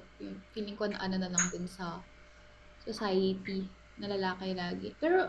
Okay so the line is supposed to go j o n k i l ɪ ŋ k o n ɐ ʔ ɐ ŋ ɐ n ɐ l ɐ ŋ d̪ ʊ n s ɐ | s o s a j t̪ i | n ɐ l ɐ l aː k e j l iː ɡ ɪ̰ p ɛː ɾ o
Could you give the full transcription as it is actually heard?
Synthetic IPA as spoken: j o n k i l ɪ ŋ k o n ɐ ʔ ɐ n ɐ n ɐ l ɐ ŋ d̪ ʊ n s ɐ | s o s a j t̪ i | n ɐ l ɐ l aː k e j l aː ɡ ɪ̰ p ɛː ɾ o